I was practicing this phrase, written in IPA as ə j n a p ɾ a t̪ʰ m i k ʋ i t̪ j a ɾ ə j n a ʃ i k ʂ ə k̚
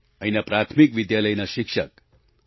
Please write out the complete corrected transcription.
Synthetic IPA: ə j n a p ɾ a t̪ʰ m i k ʋ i d̪ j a l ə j n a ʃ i k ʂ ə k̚

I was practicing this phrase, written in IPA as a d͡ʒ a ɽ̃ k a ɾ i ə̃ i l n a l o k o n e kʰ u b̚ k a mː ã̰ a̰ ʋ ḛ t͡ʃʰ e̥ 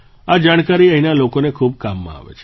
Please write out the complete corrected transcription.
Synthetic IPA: a d͡ʒ a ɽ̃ k a ɾ i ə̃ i n a l o k o n e kʰ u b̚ k a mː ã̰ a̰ ʋ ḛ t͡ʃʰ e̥

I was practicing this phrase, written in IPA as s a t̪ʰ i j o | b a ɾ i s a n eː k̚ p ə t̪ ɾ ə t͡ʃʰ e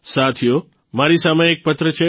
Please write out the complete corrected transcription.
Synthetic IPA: s a t̪ʰ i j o | m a ɾ i s a m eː k̚ p ə t̪ ɾ ə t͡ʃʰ e

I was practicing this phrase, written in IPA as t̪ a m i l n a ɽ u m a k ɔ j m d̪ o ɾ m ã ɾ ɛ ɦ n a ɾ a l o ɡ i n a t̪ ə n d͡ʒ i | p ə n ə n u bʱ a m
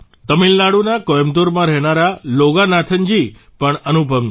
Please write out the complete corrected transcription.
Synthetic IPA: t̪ ə m i l n a ɽ u n a k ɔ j m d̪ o ɾ m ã ɾ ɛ ɦ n a ɾ a l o ɡ a n a t̪ʰ ə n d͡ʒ i | p ə ɳ ə n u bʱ ə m

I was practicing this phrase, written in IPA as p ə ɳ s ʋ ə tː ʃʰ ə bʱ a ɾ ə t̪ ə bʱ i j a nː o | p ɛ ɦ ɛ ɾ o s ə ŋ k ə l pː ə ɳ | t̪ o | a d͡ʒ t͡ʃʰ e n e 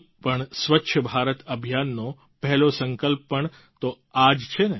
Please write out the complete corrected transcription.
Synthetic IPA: p ə ɳ s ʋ ə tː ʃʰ ə bʱ a ɾ ə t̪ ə bʱ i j a nː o | p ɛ ɦ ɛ l o s ə ŋ k ə l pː ə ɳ | t̪ o | a d͡ʒ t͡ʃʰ e n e

